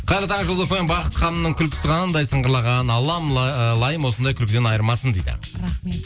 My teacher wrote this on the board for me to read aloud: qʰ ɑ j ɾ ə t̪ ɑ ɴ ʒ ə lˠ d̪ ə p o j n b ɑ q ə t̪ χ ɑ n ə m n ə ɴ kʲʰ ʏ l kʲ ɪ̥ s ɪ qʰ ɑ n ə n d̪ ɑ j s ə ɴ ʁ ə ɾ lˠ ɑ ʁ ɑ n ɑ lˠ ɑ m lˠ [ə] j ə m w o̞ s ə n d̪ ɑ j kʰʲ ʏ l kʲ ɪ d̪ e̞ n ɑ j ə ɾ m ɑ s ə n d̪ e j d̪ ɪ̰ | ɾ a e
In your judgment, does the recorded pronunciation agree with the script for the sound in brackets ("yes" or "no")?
no